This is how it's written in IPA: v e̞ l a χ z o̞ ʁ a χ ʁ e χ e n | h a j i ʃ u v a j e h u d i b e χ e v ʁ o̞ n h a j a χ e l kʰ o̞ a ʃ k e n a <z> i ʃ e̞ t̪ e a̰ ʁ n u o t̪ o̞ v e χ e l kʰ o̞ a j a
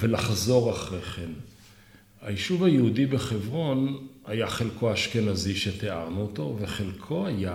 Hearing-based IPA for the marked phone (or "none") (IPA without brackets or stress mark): z